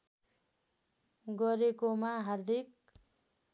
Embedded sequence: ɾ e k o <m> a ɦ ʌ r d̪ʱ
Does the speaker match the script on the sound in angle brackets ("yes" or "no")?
yes